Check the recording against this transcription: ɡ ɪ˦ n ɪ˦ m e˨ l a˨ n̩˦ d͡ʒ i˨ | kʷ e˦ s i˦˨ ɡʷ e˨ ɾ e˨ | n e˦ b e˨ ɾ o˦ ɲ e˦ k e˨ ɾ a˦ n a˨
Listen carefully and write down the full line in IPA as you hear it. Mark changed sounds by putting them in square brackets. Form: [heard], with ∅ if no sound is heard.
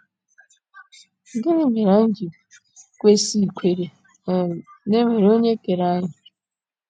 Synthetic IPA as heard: ɡ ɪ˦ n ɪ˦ m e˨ [ɾ] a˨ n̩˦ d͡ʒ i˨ | kʷ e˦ s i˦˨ [kʷ] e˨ ɾ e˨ | n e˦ [m] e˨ ɾ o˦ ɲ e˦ k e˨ ɾ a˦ [ɲ] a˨